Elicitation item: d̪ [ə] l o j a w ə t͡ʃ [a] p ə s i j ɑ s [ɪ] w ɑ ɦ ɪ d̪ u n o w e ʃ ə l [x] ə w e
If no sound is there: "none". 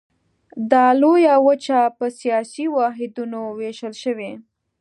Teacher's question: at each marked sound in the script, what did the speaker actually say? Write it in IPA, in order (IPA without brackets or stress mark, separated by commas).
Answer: ɑ, a, i, ʃ